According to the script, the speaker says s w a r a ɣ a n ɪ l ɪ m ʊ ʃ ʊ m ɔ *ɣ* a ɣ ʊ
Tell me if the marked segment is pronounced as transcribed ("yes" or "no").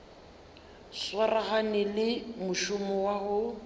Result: no